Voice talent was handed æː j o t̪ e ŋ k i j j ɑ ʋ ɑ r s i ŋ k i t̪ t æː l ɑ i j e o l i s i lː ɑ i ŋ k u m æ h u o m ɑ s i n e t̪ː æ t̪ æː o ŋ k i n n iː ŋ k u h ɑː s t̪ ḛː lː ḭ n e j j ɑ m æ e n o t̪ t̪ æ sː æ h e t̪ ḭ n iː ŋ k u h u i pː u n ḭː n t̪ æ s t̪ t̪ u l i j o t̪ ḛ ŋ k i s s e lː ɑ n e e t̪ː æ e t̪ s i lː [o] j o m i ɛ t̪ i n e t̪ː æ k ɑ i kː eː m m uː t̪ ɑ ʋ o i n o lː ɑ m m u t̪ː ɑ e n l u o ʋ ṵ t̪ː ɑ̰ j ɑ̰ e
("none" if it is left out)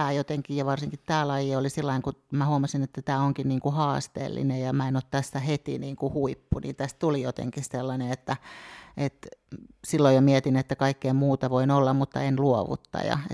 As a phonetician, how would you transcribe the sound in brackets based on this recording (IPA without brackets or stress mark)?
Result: o